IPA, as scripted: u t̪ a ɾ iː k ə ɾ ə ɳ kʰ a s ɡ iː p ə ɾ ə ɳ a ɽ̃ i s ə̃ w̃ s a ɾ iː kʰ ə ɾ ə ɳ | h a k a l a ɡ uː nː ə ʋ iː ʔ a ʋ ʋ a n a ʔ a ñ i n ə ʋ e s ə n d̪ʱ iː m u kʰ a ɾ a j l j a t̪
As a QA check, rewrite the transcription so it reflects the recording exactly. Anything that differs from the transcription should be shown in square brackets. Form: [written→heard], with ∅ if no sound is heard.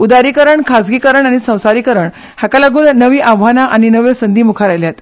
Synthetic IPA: u [t̪→d̪] a ɾ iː k ə ɾ ə ɳ kʰ a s ɡ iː [p→k] ə ɾ ə ɳ a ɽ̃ i s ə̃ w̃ s a ɾ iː [kʰ→k] ə ɾ ə ɳ | h a k a l a ɡ uː nː ə ʋ iː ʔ a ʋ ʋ a n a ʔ a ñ i n ə ʋ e s ə n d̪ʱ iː m u kʰ a ɾ a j l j a t̪